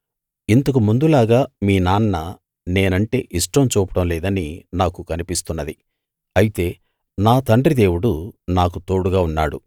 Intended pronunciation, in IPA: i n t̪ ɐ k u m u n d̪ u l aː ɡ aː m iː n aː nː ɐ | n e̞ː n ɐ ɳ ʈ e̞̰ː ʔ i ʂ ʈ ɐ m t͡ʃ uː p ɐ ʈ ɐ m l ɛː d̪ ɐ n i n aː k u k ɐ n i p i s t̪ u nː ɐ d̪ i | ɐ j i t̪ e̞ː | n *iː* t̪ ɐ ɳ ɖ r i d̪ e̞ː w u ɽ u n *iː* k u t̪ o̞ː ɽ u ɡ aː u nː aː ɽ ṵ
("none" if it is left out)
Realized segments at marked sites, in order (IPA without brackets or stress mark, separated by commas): aː, aː